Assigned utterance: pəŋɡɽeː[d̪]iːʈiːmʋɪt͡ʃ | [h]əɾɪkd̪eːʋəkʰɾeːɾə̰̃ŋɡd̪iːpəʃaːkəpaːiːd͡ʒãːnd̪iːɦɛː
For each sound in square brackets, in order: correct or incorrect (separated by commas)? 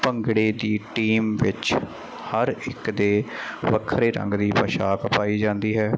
correct, correct